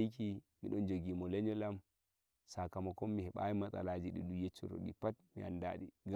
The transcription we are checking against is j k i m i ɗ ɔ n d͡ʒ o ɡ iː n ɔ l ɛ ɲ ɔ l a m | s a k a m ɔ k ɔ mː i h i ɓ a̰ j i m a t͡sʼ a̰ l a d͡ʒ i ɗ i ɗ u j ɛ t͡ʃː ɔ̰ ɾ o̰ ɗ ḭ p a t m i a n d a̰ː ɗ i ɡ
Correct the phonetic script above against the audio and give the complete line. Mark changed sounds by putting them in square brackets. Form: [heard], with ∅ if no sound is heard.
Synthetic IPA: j k i m i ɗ ɔ n d͡ʒ o ɡ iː [m] ɔ l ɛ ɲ ɔ l a m | s a k a m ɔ k ɔ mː i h [ɛ] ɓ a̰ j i m a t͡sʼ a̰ l a d͡ʒ i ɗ i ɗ u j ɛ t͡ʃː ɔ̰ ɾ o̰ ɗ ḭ p a t m i a n d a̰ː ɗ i ɡ

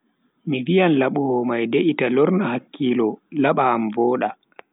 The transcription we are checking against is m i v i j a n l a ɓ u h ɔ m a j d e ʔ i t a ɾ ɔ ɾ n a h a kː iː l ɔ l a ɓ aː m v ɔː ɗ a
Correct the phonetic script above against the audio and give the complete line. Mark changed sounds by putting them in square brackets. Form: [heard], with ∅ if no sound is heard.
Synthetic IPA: m i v i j a n l a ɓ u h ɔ m a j d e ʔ i t a [l] ɔ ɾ n a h a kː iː l ɔ l a ɓ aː m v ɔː ɗ a

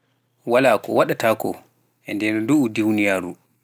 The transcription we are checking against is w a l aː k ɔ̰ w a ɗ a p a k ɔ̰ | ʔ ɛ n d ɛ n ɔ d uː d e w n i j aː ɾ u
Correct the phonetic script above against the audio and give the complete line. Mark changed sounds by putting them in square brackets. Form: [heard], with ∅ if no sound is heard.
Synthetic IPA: w a l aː k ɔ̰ w a ɗ a [t] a k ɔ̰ | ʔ ɛ n d ɛ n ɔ d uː d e w n i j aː ɾ u

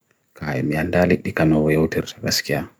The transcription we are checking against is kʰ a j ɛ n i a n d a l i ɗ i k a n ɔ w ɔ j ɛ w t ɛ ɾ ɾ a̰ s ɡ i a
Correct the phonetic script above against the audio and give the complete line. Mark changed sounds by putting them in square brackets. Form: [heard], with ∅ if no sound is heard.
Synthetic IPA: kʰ a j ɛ [m] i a n d a l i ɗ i k a n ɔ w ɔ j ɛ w t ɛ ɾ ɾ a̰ s [k] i a

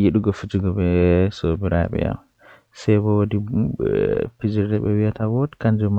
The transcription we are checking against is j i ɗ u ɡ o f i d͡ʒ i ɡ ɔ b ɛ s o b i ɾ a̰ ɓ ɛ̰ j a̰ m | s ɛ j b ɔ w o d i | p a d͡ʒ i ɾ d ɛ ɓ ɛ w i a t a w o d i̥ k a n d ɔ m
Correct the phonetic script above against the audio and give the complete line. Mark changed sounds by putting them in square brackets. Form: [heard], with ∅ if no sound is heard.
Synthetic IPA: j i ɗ u ɡ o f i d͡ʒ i ɡ ɔ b ɛ s o b i ɾ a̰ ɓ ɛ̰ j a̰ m | s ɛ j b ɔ w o d i | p [i] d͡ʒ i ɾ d ɛ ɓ ɛ w i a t a w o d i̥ k a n [d͡ʒ] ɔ m

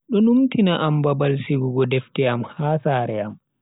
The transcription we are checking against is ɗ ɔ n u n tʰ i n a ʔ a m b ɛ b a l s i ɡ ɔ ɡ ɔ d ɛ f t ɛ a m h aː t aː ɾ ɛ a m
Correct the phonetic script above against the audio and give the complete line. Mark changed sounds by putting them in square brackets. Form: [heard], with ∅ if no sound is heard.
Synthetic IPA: ɗ ɔ n u [m] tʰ i n a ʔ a m b [a] b a l s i ɡ [u] ɡ ɔ d ɛ f t ɛ a m h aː [s] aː ɾ ɛ a m

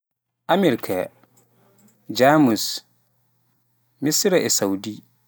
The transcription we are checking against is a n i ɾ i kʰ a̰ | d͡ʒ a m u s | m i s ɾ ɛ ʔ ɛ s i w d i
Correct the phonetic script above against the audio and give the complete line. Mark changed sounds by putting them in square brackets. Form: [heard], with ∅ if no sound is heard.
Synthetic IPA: a [m] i ɾ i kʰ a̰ | d͡ʒ a m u s | m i s ɾ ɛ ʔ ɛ s [a] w d i

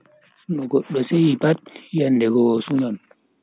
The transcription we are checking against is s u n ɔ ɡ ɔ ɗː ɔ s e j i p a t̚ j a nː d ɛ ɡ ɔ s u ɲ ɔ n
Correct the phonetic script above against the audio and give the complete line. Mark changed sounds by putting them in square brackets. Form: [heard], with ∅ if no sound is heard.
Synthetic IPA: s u n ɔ ɡ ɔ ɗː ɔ s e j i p a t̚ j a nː d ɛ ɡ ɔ s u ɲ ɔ n

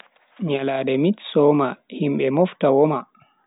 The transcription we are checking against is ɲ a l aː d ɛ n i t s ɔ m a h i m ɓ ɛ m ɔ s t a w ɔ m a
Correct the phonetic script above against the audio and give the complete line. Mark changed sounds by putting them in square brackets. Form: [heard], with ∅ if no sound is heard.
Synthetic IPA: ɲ a l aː d ɛ [m] i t s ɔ m a h i m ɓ ɛ m ɔ [f] t a w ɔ m a

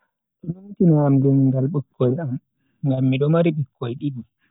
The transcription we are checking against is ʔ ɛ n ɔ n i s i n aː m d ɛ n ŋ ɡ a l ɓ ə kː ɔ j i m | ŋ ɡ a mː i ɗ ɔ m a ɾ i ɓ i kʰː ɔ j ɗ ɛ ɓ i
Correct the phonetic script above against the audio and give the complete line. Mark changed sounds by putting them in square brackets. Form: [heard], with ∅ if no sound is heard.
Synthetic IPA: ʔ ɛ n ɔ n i [t] i n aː m d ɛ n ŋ ɡ a l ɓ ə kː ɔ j [a] m | ŋ ɡ a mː i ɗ ɔ m a ɾ i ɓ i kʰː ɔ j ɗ [i] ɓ i

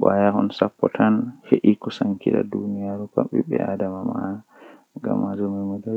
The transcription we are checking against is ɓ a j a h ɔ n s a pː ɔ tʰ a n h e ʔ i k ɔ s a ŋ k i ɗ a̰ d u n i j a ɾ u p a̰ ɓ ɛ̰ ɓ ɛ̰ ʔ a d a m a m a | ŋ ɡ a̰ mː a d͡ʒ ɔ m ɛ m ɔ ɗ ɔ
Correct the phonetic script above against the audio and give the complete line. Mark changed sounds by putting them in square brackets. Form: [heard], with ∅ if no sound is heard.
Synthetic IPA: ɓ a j a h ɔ n s a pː ɔ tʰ a n h e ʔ i k ɔ s a ŋ k i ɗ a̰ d u n i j a ɾ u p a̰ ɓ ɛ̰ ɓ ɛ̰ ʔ a d a m a m a | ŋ ɡ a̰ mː a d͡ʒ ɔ m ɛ m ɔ [d] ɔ

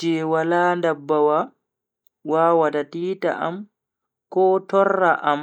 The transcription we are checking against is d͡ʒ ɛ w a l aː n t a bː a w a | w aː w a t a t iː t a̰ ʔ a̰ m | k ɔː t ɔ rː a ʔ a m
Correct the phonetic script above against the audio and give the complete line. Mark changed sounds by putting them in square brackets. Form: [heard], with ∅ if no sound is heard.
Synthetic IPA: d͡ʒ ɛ w a l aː n [d] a bː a w a | w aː w a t a t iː t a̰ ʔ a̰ m | k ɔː t ɔ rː a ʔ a m

